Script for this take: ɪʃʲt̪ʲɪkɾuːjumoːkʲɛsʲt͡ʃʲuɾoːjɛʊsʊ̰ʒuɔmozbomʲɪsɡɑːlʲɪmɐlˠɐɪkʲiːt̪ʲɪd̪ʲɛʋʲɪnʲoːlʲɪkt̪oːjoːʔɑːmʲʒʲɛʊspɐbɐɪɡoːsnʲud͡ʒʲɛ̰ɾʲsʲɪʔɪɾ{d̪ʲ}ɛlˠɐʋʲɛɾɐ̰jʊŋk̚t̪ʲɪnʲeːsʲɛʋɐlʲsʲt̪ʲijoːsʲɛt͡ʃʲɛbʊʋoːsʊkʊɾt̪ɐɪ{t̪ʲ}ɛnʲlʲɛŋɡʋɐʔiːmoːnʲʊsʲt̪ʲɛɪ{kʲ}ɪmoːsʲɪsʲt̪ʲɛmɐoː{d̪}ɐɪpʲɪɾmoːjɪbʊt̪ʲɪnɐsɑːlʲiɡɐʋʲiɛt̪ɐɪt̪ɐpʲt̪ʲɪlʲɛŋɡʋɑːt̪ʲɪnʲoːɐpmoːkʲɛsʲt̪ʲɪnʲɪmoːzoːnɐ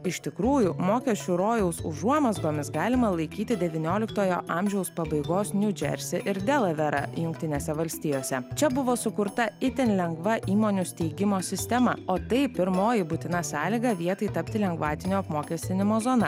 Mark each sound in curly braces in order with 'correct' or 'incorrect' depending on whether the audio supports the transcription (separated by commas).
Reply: correct, correct, incorrect, incorrect